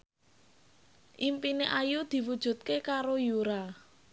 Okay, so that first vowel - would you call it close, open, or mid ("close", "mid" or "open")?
close